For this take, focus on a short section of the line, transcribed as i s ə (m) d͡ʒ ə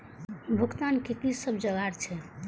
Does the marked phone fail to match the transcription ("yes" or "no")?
yes